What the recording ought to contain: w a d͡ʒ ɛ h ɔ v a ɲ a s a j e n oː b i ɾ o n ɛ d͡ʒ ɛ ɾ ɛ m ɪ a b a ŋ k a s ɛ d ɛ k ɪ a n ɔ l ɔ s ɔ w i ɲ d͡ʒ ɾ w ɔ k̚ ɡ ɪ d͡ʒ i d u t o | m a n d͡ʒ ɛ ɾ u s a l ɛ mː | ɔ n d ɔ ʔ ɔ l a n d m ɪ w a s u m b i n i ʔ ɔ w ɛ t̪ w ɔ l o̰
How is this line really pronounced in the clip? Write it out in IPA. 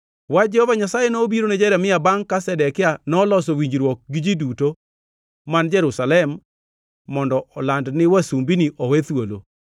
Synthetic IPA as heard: w a d͡ʒ ɛ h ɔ v a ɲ a s a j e n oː b i ɾ o n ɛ d͡ʒ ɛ ɾ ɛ m ɪ a b a ŋ k a s ɛ d ɛ k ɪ a n ɔ l ɔ s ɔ w i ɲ d͡ʒ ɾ w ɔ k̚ ɡ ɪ d͡ʒ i d u t o | m a n d͡ʒ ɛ ɾ u s a l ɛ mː | ɔ n d ɔ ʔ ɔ l a n d n ɪ w a s u m b i n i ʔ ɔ w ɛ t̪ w o l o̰